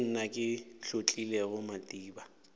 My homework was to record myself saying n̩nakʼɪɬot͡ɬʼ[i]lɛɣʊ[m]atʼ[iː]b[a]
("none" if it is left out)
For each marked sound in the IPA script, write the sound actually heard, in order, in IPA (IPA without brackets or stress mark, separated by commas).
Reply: i, m, iː, a